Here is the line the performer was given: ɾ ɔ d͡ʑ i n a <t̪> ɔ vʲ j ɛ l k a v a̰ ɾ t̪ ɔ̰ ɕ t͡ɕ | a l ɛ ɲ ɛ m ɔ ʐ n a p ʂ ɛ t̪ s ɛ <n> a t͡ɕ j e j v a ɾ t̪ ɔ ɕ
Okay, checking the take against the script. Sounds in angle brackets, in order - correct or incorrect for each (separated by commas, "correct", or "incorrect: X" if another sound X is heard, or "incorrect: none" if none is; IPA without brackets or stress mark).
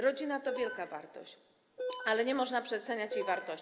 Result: correct, incorrect: ɲ